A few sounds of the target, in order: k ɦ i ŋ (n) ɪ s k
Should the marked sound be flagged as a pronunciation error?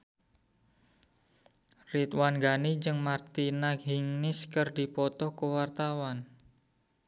no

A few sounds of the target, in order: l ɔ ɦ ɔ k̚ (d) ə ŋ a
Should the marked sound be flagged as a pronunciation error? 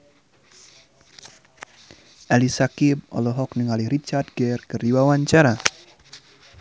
yes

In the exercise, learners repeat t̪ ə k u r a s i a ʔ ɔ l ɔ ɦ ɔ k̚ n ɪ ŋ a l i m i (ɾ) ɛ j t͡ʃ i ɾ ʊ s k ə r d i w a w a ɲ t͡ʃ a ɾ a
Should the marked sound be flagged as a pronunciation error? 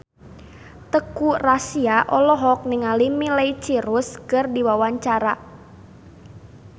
yes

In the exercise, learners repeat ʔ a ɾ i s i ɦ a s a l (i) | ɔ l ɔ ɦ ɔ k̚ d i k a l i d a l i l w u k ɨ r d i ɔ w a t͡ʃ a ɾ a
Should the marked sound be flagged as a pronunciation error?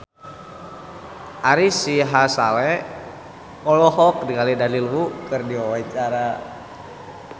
yes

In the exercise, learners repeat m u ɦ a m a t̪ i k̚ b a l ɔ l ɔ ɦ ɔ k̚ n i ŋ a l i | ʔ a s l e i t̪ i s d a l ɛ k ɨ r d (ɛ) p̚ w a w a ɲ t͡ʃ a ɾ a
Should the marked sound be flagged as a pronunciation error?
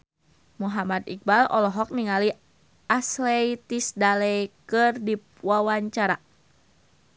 yes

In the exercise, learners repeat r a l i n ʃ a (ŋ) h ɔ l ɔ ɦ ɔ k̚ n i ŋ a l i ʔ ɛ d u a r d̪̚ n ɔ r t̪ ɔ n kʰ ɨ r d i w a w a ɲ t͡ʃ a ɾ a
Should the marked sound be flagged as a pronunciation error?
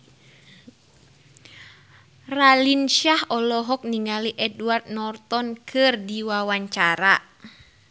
yes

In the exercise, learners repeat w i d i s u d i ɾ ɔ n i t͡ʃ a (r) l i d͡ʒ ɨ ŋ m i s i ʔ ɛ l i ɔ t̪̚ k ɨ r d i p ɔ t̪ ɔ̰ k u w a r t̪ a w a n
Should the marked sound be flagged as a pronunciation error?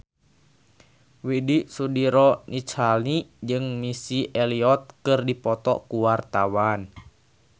yes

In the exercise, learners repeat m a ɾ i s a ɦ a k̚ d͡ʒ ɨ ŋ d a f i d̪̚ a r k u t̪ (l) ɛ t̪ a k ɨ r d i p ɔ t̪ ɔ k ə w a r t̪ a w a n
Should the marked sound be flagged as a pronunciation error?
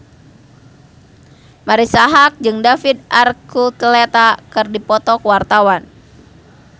no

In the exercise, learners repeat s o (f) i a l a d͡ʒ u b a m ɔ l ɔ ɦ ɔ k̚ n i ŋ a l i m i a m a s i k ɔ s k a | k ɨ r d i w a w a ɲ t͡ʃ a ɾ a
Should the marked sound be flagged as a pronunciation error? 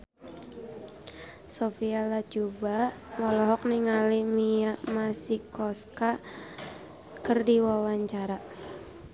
no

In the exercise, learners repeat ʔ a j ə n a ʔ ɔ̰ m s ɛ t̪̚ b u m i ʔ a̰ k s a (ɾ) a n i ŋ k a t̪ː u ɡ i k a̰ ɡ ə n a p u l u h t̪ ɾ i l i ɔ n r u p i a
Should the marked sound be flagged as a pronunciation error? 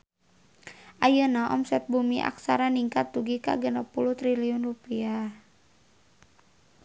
no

